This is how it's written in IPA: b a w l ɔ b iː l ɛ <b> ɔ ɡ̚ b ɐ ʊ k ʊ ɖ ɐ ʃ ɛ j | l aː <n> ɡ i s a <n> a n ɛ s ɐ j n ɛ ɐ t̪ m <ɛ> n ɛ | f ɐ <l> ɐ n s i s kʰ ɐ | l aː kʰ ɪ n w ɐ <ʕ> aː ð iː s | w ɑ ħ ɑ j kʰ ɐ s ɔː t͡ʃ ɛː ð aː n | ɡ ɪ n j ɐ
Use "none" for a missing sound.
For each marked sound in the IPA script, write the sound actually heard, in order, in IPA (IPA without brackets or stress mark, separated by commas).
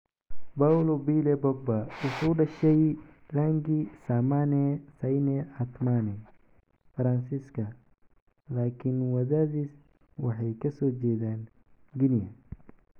b, ŋ, m, a, ɾ, ð